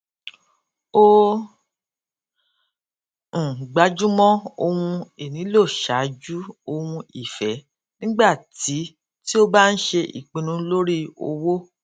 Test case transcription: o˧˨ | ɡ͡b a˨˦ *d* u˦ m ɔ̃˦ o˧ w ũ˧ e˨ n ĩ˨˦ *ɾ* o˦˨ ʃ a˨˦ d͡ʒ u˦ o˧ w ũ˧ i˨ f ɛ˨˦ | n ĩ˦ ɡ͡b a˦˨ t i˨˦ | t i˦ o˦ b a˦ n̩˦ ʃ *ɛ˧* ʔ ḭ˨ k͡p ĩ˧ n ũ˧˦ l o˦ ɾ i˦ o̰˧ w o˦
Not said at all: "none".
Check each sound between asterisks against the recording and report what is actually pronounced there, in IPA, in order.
d͡ʒ, l, e˧

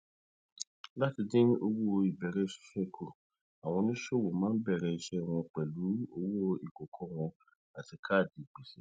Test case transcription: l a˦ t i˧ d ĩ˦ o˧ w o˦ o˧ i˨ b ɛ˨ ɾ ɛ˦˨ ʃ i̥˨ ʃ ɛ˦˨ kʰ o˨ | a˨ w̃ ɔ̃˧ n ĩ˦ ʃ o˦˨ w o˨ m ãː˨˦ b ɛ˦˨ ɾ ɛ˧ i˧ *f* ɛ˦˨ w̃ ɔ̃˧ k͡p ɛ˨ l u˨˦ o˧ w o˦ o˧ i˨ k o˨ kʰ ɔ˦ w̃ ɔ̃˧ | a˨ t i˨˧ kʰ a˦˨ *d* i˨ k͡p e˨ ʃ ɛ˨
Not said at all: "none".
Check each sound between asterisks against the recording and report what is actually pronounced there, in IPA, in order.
ʃ, d

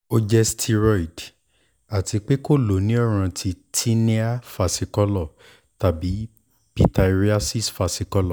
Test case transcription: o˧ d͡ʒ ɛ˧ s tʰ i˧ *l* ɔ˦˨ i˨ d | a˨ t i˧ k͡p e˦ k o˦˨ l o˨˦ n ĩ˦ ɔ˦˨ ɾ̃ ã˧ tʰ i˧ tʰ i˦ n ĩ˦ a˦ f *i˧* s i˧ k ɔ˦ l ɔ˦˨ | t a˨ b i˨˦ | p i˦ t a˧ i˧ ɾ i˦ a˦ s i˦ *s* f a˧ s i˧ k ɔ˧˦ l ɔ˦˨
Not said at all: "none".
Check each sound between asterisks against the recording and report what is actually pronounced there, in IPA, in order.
ɾ, a˧, s

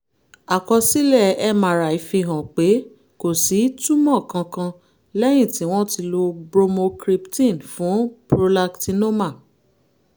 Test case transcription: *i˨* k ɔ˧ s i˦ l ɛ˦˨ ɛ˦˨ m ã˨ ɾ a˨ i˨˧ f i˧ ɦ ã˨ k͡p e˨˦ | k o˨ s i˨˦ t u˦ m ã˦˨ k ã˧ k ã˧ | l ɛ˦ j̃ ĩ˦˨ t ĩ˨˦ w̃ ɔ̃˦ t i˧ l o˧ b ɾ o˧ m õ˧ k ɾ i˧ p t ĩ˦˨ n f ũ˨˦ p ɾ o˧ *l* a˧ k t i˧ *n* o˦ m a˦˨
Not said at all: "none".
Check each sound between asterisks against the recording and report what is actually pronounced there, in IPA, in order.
a˨, l, n

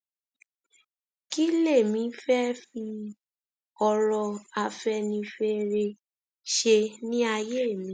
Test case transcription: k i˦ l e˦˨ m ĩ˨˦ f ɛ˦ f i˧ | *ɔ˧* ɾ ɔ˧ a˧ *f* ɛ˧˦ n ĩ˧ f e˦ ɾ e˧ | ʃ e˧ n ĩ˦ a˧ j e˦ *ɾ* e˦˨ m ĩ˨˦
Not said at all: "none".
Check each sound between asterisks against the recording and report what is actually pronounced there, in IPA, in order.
ɔ˧, f, none

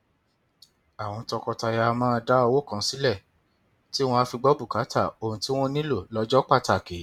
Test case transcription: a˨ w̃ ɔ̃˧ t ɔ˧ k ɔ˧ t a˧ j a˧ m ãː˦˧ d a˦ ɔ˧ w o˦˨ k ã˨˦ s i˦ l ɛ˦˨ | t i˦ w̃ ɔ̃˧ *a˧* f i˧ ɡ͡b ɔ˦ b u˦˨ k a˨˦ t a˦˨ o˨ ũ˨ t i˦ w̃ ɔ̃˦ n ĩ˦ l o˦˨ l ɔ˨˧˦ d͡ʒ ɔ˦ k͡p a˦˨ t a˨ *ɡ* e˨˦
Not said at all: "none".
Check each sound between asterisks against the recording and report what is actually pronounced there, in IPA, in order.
a˧, k

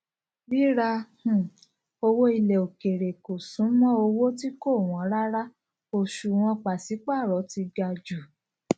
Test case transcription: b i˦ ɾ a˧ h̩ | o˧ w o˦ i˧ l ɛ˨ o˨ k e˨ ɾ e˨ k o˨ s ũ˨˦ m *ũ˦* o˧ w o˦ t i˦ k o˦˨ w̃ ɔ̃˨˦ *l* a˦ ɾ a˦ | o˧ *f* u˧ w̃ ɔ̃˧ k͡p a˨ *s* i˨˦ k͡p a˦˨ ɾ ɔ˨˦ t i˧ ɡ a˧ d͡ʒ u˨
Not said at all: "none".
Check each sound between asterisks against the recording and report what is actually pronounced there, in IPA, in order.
ɔ̃˦, ɾ, ʃ, s

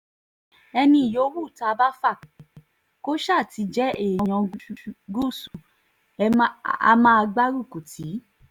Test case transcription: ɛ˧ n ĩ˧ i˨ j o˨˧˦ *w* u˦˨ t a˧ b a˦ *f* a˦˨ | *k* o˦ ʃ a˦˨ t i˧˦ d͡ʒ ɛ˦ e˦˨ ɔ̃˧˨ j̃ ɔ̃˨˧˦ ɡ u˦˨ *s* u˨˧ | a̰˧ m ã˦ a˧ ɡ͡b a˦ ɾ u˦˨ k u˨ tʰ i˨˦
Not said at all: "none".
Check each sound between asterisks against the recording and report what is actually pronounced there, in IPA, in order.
w, f, k, s

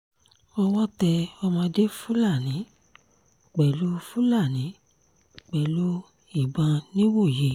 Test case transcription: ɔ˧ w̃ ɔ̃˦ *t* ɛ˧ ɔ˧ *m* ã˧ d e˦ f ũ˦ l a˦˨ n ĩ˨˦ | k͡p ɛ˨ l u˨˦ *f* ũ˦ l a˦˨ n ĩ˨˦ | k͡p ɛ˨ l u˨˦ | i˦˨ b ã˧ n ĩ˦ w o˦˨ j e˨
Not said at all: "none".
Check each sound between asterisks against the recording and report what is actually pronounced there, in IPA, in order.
t, m, f

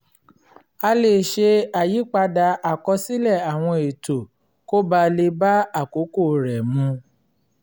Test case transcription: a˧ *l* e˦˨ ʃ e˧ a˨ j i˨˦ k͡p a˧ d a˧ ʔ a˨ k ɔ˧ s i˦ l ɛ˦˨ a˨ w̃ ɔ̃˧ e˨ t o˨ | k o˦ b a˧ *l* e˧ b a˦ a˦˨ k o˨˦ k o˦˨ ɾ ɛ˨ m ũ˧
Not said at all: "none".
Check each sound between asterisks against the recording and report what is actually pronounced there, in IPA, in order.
l, l

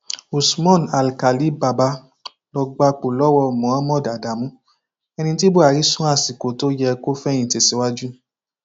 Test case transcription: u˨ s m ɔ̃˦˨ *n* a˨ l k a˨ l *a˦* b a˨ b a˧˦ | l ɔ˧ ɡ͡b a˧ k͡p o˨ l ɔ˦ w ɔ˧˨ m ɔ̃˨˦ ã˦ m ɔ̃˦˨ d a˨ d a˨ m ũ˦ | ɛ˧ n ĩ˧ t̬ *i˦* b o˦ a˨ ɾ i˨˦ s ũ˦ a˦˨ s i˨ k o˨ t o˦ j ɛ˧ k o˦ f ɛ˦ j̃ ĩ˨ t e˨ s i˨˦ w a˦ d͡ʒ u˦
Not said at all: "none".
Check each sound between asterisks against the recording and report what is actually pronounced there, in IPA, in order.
n, i˦, i˦

